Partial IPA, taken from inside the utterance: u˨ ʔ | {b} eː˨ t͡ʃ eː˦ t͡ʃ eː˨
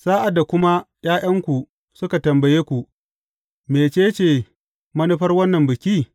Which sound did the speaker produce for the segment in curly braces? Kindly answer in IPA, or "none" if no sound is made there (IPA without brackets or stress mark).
m